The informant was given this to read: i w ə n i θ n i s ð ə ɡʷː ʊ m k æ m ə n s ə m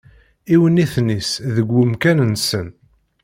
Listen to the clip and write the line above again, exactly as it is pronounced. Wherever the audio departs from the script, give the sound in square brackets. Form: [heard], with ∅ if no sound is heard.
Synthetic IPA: i w ə n i θ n i s ð ə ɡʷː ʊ m k æ [n] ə n s ə [n]

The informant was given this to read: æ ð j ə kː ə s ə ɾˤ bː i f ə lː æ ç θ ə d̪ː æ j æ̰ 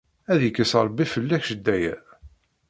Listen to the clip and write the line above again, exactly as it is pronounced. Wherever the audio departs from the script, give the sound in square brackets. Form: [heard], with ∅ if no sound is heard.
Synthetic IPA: æ ð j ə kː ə s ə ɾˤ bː i f ə lː æ ç [ʃ] ə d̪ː æ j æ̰

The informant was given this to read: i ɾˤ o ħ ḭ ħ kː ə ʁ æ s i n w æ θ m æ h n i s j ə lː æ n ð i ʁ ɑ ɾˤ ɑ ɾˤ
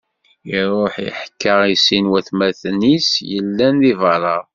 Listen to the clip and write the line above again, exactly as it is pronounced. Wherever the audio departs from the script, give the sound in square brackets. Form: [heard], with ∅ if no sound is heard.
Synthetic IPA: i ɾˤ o ħ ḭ ħ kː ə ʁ [i] s i n w æ θ m æ [θ] n i s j ə lː æ n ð i [v] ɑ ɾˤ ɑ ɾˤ

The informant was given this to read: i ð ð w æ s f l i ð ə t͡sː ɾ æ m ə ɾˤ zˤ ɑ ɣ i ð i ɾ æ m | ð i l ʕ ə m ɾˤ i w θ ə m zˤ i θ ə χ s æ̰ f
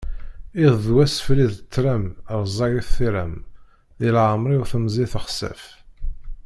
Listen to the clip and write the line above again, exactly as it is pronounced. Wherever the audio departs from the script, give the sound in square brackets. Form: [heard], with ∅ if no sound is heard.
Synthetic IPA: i ð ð w æ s f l i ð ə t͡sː ɾ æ m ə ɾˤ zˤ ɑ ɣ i [θ] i ɾ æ m | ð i l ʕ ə m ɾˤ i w θ ə m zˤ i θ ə χ s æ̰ f

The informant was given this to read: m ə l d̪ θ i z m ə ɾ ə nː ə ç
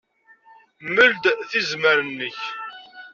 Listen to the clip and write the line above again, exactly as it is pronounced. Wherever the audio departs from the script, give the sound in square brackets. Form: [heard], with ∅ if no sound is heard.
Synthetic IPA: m ə l d̪ θ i z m ə ɾ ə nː ə ç

